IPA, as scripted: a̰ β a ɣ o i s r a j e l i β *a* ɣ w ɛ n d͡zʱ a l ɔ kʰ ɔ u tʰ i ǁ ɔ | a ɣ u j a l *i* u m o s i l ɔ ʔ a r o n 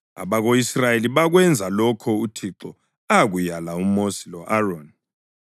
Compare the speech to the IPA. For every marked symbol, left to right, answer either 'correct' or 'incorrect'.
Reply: correct, incorrect: a

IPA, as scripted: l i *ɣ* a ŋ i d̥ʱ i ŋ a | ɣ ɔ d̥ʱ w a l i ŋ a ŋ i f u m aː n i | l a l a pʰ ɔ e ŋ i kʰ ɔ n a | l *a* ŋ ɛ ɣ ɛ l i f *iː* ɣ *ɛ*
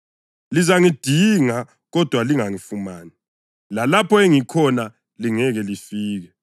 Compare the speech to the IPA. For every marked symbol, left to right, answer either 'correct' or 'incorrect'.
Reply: incorrect: z, incorrect: i, correct, correct

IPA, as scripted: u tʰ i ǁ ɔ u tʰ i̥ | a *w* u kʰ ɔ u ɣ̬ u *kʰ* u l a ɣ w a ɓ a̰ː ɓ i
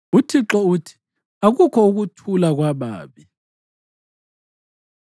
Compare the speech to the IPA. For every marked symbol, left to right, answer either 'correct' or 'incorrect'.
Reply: incorrect: ɣ, incorrect: tʰ

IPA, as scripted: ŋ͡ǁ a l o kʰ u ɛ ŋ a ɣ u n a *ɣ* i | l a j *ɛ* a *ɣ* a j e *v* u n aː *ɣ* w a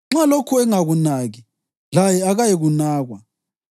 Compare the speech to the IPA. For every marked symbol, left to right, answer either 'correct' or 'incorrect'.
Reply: correct, correct, correct, incorrect: ɣ, correct

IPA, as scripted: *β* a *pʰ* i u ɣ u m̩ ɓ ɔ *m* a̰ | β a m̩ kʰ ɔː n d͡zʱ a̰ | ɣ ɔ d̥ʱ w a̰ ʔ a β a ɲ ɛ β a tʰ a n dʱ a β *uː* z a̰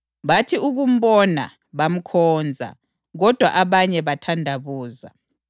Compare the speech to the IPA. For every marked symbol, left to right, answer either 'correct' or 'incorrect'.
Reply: correct, incorrect: tʰ, incorrect: n, correct

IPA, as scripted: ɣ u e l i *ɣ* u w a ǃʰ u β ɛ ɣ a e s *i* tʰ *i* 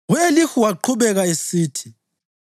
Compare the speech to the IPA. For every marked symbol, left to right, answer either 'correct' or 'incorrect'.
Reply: incorrect: x, incorrect: iː, correct

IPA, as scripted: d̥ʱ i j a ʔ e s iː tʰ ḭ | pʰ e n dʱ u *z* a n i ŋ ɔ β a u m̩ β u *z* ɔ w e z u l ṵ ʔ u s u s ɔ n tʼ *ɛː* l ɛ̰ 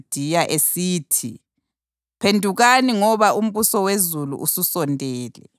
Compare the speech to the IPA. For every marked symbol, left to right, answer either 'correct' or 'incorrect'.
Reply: incorrect: ɣ, incorrect: s, correct

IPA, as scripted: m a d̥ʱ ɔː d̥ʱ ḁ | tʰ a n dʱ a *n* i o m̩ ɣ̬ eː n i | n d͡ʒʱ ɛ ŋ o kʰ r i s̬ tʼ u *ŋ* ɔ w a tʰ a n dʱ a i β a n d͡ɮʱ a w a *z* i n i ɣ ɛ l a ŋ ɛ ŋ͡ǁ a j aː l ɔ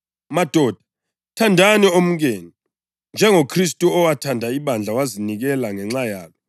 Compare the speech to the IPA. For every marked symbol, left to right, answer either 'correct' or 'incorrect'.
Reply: correct, incorrect: none, correct

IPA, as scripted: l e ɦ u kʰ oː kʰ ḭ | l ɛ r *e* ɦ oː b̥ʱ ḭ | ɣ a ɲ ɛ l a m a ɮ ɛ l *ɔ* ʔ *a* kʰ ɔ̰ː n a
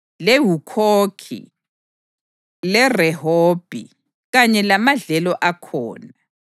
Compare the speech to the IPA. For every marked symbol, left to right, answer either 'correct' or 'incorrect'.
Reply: incorrect: ɛ, correct, correct

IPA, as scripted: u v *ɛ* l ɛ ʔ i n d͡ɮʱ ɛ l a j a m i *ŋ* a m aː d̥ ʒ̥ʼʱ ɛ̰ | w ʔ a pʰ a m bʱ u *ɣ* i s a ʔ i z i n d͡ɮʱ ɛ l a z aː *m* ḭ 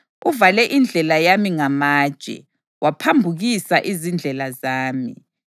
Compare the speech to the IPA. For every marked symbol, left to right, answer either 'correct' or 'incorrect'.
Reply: incorrect: a, correct, correct, correct

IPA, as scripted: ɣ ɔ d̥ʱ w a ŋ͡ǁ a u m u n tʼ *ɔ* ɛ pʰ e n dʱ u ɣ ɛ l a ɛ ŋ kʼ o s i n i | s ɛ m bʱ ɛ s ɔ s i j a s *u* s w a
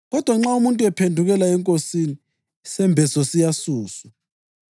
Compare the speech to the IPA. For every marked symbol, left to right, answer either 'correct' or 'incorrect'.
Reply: incorrect: u, incorrect: uː

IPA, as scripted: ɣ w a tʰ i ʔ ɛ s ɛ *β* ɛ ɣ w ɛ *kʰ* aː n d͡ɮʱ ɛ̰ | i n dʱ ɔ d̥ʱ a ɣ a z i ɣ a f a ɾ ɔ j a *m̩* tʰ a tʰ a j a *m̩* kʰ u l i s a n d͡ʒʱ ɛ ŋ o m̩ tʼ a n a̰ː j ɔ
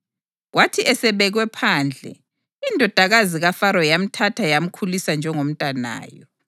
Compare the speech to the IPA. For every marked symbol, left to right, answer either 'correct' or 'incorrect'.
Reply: correct, incorrect: pʰ, correct, correct

